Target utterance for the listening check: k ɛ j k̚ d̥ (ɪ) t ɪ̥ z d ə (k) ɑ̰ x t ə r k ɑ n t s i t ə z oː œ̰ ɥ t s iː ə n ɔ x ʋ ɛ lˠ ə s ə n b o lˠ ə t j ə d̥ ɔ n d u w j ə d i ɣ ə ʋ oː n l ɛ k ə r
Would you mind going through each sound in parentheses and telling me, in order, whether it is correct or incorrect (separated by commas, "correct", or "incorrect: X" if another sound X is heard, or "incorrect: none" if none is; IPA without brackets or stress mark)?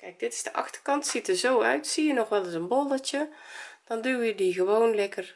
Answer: correct, incorrect: ʔ